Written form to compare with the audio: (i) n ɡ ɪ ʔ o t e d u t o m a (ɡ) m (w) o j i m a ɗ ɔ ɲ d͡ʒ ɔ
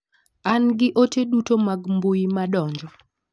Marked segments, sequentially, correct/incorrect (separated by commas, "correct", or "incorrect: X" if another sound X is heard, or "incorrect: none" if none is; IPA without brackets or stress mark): incorrect: a, correct, incorrect: b